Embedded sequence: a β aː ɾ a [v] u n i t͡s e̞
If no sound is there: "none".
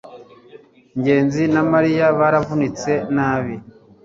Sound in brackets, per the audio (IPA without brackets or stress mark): v